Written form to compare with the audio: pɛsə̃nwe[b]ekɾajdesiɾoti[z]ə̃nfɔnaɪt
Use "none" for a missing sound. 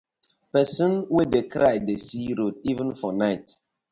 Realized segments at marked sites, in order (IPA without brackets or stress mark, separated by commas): d, v